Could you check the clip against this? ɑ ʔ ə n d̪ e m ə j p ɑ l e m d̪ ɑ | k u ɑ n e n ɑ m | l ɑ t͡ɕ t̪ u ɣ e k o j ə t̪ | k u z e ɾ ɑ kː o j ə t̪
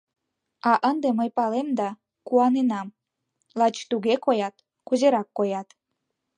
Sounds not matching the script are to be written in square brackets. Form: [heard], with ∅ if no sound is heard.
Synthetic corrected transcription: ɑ ʔ ə n d̪ e m ə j p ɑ l e m d̪ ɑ | k u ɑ n e n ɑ m | l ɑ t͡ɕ t̪ u ɣ e k o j [ɑ] t̪ | k u z e ɾ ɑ kː o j [ɑ] t̪

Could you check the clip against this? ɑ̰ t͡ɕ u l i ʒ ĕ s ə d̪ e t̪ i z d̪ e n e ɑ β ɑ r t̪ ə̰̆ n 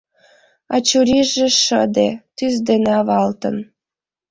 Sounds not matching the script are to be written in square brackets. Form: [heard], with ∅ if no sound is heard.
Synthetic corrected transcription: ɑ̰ t͡ɕ u [ɾ] i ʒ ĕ [ʃ] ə d̪ e t̪ [y] z d̪ e n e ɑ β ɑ [l] t̪ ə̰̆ n

